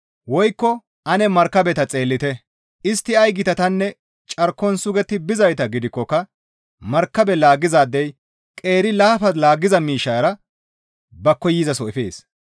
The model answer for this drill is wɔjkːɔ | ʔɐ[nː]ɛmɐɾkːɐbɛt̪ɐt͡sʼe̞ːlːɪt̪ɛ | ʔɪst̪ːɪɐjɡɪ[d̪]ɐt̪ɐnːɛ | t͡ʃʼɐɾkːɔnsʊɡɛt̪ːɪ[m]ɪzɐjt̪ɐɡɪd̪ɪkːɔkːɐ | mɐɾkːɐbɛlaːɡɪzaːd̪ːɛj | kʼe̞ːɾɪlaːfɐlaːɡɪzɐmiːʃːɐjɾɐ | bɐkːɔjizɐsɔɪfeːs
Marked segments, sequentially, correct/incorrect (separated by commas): incorrect, incorrect, incorrect